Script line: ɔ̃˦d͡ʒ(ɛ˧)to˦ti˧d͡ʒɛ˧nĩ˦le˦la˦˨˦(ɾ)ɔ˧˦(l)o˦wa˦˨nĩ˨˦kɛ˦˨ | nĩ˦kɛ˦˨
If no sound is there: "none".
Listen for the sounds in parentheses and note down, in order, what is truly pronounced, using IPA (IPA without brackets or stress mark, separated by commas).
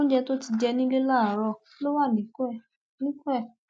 ɛ˧, ɾ, l